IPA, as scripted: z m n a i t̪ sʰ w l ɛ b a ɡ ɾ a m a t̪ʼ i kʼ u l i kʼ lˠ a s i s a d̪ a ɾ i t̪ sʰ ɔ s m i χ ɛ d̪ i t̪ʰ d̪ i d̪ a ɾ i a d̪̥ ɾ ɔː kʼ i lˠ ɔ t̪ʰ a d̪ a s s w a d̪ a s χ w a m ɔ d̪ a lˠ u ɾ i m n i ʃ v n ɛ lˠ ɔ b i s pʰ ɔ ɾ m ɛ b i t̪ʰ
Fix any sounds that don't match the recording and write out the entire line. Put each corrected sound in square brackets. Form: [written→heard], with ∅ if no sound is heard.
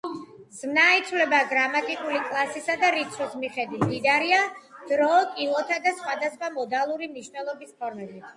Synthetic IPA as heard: z m n a i t̪ sʰ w l ɛ b a ɡ ɾ a m a t̪ʼ i kʼ u l i kʼ lˠ a s i s a d̪ a ɾ i t̪ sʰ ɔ s m i χ ɛ d̪ i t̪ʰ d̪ i d̪ a ɾ i a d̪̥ ɾ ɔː kʼ i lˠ ɔ t̪ʰ a d̪ a s [s→χ] w a d̪ a s χ w a m ɔ d̪ a lˠ u ɾ i m n i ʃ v n ɛ lˠ ɔ b i s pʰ ɔ ɾ m ɛ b i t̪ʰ